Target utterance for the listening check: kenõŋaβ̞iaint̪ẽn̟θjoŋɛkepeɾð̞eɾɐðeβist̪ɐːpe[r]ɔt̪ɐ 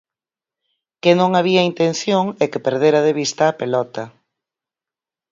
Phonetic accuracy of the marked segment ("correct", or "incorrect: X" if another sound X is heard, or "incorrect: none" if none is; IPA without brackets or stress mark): incorrect: l